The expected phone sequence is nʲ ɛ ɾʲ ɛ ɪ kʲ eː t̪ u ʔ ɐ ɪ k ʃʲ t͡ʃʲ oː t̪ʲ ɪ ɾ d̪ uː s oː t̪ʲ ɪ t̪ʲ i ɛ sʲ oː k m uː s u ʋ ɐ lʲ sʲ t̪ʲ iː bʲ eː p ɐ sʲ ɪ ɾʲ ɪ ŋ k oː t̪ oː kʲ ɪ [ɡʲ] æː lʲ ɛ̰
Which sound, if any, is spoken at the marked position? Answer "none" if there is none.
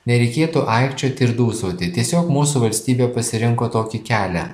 kʲ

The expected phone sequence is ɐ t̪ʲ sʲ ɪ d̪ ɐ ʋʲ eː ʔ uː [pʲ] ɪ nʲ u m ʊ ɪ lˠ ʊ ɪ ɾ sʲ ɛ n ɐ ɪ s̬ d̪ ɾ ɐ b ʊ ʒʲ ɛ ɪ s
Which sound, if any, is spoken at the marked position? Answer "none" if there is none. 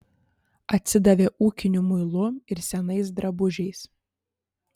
kʲ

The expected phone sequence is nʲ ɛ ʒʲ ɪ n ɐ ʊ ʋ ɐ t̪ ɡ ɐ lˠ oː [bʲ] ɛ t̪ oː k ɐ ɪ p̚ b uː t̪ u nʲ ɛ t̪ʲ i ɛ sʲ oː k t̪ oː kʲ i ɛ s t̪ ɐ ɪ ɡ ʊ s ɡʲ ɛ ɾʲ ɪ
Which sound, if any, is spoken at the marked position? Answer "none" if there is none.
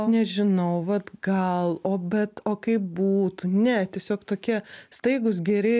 bʲ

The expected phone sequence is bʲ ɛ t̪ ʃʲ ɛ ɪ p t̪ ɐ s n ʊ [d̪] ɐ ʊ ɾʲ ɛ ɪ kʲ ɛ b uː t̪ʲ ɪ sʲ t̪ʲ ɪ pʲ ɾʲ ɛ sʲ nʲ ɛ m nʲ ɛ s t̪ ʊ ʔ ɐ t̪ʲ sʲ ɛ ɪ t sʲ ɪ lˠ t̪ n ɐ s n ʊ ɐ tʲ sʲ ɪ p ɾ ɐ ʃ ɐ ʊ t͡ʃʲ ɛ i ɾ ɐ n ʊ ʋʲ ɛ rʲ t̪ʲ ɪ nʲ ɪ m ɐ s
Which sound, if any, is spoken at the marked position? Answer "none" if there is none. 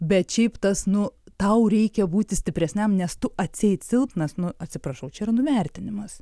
t̪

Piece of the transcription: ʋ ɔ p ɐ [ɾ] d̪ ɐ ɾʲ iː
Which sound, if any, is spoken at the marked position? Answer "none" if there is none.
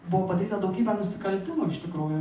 none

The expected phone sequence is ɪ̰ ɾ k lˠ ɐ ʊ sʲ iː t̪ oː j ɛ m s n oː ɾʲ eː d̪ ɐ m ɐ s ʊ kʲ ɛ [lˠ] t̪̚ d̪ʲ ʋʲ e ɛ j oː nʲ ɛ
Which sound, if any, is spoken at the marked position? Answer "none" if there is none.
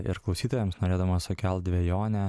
lˠ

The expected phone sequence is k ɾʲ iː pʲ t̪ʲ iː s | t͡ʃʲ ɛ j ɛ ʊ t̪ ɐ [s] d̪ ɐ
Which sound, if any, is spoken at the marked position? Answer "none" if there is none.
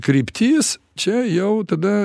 none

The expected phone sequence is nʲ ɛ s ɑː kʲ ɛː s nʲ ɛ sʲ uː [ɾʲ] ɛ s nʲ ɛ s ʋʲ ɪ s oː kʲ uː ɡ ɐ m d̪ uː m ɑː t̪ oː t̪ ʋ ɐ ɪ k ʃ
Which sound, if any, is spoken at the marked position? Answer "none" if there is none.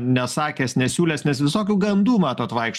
lʲ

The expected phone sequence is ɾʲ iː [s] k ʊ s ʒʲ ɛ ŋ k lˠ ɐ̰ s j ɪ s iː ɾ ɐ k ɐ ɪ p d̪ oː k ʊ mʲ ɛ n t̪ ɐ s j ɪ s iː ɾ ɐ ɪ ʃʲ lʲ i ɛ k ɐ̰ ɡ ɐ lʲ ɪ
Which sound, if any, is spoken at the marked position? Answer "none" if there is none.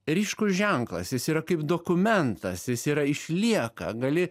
ʃ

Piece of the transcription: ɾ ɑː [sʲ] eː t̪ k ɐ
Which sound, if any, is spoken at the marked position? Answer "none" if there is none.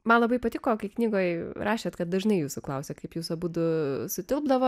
ʃʲ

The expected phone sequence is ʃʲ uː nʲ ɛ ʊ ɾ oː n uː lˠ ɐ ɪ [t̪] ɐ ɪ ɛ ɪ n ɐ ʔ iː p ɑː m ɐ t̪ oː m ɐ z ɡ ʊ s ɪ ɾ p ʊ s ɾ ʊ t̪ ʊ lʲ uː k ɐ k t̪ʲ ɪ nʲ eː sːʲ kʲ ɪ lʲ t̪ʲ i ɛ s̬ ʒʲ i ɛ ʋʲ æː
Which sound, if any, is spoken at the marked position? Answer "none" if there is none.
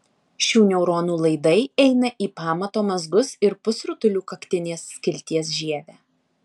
d̪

